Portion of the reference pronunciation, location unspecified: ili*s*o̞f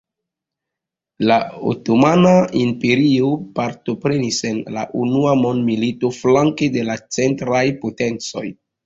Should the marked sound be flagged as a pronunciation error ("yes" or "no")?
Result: yes